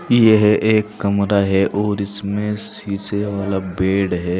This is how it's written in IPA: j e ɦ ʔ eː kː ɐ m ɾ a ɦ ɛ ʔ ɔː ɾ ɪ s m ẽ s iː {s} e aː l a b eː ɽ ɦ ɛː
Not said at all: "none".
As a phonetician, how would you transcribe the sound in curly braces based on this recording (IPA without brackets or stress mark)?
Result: s